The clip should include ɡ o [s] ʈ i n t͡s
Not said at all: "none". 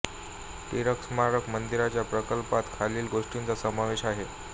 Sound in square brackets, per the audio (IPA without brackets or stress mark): ʂ